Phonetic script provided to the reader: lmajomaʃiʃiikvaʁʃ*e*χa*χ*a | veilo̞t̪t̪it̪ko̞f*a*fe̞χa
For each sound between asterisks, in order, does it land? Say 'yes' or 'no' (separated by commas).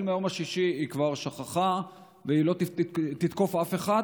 no, yes, yes